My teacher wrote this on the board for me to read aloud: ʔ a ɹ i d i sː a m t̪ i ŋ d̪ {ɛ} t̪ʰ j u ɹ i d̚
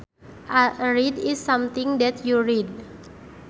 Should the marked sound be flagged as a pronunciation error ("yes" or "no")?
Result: no